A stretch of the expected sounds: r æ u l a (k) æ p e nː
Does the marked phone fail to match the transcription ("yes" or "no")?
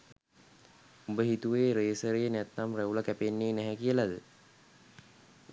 no